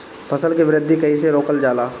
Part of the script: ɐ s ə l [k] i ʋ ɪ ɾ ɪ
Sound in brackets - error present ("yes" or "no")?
no